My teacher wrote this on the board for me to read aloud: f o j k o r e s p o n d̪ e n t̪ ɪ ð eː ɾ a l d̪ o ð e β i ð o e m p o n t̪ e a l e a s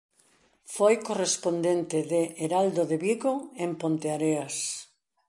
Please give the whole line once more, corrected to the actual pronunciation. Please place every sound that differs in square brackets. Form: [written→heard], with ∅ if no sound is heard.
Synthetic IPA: f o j k o r e s p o n d̪ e n t̪ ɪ ð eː ɾ a l d̪ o ð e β i [ð→ɣ] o e m p o n t̪ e a [l→ɾ] e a s